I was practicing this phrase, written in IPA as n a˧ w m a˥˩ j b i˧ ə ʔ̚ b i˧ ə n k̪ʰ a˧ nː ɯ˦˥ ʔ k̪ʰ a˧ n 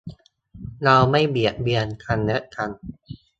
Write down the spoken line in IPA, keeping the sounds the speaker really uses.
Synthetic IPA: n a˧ w m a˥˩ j b i˨˩ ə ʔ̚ b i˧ ə n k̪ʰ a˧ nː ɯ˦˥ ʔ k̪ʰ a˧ n